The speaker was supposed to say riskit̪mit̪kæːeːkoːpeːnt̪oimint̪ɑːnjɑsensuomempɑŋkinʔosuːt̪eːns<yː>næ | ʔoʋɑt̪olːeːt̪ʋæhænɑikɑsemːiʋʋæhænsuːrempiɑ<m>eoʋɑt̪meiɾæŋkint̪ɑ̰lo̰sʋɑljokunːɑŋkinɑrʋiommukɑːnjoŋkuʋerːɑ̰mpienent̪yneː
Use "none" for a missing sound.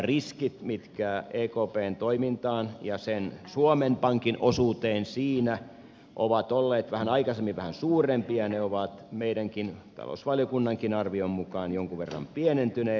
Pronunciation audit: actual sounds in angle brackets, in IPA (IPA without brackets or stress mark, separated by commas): iː, n